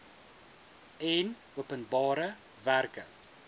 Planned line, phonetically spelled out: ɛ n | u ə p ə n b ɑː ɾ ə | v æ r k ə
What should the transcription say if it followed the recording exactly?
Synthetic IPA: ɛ n | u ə p ə n b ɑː ɾ ə | v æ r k ə